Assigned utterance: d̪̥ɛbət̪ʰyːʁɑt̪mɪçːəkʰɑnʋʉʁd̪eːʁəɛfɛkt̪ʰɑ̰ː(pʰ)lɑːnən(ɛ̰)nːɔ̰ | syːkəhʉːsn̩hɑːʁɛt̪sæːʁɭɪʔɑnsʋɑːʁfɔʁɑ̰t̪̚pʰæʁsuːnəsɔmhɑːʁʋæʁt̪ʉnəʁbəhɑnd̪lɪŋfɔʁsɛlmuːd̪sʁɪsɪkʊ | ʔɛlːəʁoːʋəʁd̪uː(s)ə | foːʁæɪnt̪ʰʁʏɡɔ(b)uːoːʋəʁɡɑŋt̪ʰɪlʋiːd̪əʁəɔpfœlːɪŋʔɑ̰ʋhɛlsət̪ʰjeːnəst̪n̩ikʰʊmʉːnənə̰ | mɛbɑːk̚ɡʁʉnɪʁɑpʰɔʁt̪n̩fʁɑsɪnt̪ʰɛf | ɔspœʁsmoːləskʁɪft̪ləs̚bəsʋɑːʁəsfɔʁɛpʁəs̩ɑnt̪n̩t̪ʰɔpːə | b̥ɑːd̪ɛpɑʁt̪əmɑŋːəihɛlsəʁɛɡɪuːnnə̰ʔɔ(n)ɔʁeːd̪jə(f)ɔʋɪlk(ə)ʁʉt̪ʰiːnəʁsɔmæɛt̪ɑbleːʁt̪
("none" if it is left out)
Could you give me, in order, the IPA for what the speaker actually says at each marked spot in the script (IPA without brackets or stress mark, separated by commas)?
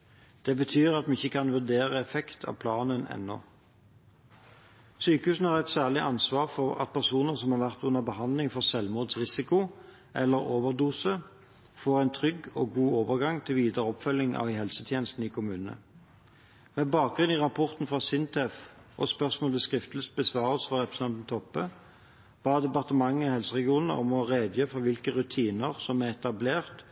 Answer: pʰ, ɛ̰, s, ɡ, m, f, ə